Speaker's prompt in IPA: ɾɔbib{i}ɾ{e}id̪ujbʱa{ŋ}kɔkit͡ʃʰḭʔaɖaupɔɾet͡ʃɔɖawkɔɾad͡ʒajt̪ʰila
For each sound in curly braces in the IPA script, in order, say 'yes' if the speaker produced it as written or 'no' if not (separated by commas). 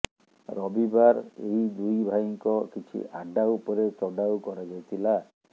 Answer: no, yes, yes